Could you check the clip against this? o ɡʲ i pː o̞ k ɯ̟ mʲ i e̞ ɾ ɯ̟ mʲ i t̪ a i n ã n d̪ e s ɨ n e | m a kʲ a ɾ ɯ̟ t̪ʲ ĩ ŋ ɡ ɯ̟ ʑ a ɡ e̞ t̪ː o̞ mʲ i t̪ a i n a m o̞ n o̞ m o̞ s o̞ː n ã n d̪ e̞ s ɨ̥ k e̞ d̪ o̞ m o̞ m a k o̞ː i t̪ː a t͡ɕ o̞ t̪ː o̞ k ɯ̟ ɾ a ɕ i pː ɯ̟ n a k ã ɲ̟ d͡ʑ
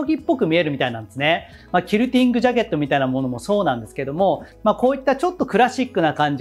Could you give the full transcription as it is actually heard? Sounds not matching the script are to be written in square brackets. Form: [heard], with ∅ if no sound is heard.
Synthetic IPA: o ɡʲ i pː o̞ k ɯ̟ mʲ i e̞ ɾ ɯ̟ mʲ i t̪ a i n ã n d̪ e s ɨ n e | m a kʲ [i] ɾ ɯ̟ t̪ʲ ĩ ŋ ɡ ɯ̟ ʑ a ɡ e̞ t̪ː o̞ mʲ i t̪ a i n a m o̞ n o̞ m o̞ s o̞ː n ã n d̪ e̞ s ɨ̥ k e̞ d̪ o̞ m o̞ m a k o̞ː i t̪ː a t͡ɕ o̞ t̪ː o̞ k ɯ̟ ɾ a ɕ i [kː] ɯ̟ n a k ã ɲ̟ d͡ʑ

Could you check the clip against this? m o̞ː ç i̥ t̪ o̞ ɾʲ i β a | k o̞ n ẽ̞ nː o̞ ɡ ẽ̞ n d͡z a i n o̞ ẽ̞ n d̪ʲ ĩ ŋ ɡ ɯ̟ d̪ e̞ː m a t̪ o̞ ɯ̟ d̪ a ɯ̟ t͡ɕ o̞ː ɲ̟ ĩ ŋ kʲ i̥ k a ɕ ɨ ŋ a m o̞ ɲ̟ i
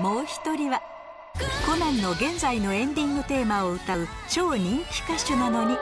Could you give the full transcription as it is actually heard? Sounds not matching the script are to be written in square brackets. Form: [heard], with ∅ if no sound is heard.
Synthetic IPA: m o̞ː ç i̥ t̪ o̞ ɾʲ i β a | k o̞ n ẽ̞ nː o̞ ɡ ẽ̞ n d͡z a i n o̞ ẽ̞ n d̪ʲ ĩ ŋ ɡ ɯ̟ [t̪] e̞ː m a [∅] o̞ ɯ̟ [t̪] a ɯ̟ t͡ɕ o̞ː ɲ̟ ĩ ŋ kʲ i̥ k a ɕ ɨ [n] a [n] o̞ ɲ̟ i

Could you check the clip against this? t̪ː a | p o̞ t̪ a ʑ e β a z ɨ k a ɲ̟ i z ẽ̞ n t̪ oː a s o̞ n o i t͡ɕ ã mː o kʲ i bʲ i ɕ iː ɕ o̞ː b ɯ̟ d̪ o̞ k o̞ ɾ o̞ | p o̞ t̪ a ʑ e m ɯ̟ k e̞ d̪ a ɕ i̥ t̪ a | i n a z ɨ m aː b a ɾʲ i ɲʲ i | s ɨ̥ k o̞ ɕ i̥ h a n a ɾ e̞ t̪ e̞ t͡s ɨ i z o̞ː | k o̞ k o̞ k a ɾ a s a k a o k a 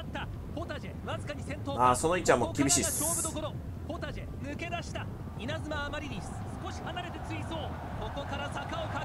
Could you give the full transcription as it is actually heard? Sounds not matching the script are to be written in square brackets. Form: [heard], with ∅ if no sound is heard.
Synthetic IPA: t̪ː a | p o̞ t̪ a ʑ e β a z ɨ k a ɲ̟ i [s] ẽ̞ n t̪ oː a s o̞ n o i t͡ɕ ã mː o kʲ i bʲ i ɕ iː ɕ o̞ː b ɯ̟ d̪ o̞ k o̞ ɾ o̞ | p o̞ t̪ a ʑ e m ɯ̟ k e̞ d̪ a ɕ i̥ t̪ a | i n a z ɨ m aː [m] a ɾʲ i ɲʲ i | s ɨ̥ k o̞ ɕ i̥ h a n a ɾ e̞ t̪ e̞ t͡s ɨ i [s] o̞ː | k o̞ k o̞ k a ɾ a s a k a o k a

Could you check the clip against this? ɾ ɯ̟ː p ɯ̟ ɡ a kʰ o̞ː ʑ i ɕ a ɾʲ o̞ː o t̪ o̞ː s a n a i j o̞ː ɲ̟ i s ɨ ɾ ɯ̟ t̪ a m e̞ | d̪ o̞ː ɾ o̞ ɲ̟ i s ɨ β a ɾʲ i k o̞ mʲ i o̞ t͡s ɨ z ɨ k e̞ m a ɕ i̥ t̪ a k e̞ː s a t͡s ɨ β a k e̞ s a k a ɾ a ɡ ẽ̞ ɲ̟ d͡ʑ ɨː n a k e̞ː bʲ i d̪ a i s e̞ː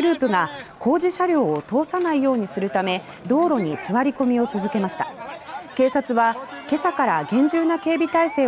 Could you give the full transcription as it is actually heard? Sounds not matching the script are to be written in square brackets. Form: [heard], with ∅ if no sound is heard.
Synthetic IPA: ɾ ɯ̟ː p ɯ̟ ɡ a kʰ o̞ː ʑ i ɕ a ɾʲ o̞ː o t̪ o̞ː s a n a i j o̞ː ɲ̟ i s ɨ ɾ ɯ̟ t̪ a m e̞ | d̪ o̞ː ɾ o̞ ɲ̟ i s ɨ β a ɾʲ i k o̞ mʲ i o̞ t͡s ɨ z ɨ k e̞ m a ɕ i̥ t̪ a k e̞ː s a t͡s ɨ β a k e̞ s a k a ɾ a ɡ ẽ̞ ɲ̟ d͡ʑ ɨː n a k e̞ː bʲ i [t̪] a i s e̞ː

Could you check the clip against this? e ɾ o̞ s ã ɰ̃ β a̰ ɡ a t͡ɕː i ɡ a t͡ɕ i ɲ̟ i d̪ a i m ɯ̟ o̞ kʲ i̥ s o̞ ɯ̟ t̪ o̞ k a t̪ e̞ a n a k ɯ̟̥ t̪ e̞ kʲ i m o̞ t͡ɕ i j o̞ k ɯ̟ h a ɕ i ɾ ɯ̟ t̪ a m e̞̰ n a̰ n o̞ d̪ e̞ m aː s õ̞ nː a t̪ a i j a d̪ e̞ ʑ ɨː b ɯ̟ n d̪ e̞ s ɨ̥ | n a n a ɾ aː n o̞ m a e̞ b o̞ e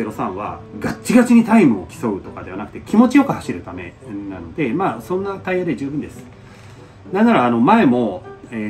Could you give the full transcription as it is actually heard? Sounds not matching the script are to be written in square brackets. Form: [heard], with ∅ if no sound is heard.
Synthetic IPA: e ɾ o̞ s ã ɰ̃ β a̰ ɡ a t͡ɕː i ɡ a t͡ɕ i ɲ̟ i [t̪] a i m ɯ̟ o̞ kʲ i̥ s o̞ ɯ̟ t̪ o̞ k a [d̪] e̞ a n a k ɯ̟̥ t̪ e̞ kʲ i m o̞ t͡ɕ i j o̞ k ɯ̟ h a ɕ i ɾ ɯ̟ t̪ a m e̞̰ n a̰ n o̞ d̪ e̞ m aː s õ̞ nː a t̪ a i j a d̪ e̞ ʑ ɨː b ɯ̟ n d̪ e̞ s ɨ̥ | n a n a ɾ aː n o̞ m a e̞ [m] o̞ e

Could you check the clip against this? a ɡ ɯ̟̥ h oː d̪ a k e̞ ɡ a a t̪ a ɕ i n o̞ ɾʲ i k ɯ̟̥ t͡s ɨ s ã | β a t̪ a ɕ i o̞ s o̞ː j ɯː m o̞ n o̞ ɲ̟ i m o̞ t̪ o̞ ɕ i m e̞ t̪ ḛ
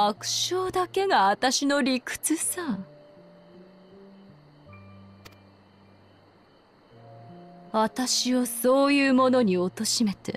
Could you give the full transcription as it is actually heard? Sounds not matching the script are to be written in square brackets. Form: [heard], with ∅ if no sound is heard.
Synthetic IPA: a [k] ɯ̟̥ [ɕ] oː d̪ a k e̞ ɡ a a t̪ a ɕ i n o̞ ɾʲ i k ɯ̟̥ t͡s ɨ s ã | β a t̪ a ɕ i o̞ s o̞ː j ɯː m o̞ n o̞ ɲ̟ i [∅] o̞ t̪ o̞ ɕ i m e̞ t̪ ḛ

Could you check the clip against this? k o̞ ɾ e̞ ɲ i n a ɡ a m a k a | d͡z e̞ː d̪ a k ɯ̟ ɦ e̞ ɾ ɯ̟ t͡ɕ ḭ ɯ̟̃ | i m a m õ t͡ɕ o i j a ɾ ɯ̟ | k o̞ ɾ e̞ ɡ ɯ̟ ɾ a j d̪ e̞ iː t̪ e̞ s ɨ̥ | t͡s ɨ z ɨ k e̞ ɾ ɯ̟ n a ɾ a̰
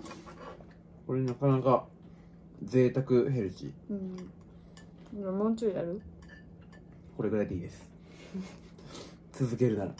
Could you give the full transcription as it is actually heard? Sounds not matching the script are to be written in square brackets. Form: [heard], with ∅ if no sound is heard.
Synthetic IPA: k o̞ ɾ e̞ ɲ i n a [k] a [n] a k a | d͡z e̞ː [t̪] a k ɯ̟ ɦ e̞ ɾ ɯ̟ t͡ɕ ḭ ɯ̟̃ | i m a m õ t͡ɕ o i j a ɾ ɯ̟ | k o̞ ɾ e̞ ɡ ɯ̟ ɾ a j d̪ e̞ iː [d̪] e̞ s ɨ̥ | t͡s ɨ z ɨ k e̞ ɾ ɯ̟ n a ɾ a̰

